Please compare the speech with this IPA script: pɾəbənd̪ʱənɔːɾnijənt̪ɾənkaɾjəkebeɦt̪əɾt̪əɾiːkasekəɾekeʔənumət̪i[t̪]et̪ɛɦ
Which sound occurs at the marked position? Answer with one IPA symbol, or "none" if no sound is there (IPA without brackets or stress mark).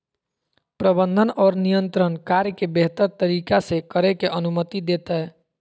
d̪